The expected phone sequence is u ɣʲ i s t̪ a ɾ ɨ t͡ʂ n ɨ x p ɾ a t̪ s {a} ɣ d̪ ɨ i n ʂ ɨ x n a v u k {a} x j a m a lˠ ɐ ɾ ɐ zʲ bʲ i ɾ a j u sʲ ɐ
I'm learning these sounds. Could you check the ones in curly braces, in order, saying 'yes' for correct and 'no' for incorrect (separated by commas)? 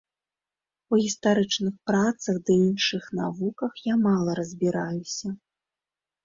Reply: no, no